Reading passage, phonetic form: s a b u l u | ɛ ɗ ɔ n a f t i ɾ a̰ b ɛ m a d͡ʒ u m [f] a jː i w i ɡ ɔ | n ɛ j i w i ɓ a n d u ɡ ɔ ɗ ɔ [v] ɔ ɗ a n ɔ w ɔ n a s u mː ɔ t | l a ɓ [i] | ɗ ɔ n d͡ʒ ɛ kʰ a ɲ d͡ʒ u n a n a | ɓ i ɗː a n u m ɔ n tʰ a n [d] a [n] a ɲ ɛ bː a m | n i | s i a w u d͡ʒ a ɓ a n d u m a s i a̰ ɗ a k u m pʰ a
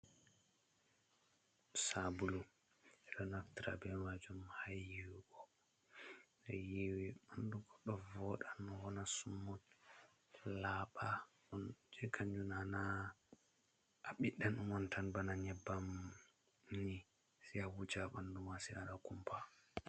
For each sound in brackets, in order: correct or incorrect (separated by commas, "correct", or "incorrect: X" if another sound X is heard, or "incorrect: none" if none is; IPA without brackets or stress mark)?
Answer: incorrect: h, correct, incorrect: a, incorrect: b, correct